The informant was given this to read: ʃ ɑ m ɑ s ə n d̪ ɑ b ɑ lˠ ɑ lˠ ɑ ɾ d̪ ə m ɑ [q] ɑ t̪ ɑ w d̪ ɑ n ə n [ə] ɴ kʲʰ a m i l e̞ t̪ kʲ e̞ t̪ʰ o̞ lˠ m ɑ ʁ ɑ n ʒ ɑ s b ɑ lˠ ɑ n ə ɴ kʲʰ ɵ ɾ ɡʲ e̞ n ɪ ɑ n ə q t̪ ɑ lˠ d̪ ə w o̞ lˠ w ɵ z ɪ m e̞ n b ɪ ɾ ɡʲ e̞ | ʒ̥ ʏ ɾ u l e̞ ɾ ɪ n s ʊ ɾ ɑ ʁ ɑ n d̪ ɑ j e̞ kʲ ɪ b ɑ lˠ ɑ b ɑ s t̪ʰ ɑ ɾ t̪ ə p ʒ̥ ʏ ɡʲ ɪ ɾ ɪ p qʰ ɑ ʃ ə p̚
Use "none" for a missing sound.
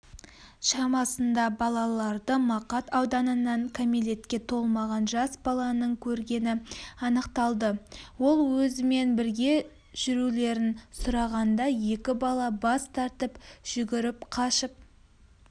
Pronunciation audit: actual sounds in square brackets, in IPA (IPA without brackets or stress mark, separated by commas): q, ɑ